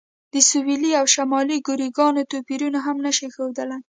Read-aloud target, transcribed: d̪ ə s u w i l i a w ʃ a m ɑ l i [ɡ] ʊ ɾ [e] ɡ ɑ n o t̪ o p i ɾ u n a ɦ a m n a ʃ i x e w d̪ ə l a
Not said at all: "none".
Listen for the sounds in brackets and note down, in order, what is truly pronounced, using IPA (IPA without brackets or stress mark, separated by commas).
ɡ, i